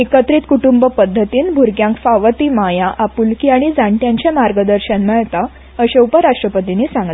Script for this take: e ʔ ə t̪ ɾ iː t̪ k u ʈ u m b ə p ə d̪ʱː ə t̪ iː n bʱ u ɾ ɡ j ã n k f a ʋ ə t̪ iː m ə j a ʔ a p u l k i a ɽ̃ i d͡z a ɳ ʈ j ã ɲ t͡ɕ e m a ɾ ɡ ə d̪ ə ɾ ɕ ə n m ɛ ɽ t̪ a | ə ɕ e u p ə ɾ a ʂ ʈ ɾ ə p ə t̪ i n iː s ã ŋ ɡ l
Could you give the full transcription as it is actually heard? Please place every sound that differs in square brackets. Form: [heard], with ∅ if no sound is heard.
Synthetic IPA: e [k] ə t̪ ɾ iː t̪ k u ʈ u m b ə p ə d̪ʱː ə t̪ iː n bʱ u ɾ ɡ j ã [ŋ] k f a ʋ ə t̪ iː m [a] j a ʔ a p u l k i a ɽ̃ i d͡z a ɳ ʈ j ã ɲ t͡ɕ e m a ɾ ɡ ə d̪ ə ɾ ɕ ə n m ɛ [ɭ] t̪ a | ə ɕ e u p ə ɾ a ʂ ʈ ɾ ə p ə t̪ i n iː s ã ŋ ɡ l

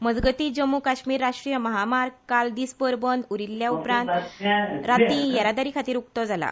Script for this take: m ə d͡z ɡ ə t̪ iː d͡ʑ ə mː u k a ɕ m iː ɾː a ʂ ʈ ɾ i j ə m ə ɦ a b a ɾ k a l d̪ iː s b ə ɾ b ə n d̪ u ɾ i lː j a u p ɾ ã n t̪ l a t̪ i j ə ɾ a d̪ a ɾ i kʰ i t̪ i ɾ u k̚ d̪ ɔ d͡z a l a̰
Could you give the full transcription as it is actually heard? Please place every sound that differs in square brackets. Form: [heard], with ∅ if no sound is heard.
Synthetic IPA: m ə d͡z ɡ ə t̪ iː d͡ʑ ə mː u k a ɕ m iː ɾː a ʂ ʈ ɾ i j ə m ə ɦ a [m] a ɾ k a l d̪ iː s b ə ɾ b ə n d̪ u ɾ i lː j a u p ɾ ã n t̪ [ɾ] a t̪ i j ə ɾ a d̪ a ɾ i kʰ [a] t̪ [iː] ɾ u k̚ [t̪] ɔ d͡z a l a̰

